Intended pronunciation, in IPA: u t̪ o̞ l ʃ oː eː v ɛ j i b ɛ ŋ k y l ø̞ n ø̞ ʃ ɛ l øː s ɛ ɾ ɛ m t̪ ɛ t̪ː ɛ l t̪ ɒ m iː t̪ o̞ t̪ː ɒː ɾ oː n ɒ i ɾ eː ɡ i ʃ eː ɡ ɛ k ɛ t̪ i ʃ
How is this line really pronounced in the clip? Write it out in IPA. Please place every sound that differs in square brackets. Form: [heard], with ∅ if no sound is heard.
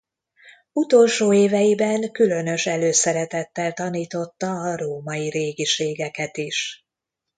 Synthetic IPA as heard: u t̪ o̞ l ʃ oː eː v ɛ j i b ɛ ŋ k y l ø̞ n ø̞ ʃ ɛ l øː s ɛ ɾ ɛ [∅] t̪ ɛ t̪ː ɛ l t̪ ɒ [n] iː t̪ o̞ t̪ː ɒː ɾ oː [m] ɒ i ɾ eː ɡ i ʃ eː ɡ ɛ k ɛ t̪ i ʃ